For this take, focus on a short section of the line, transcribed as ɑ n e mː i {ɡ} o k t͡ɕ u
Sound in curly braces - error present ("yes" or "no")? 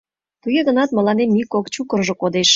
yes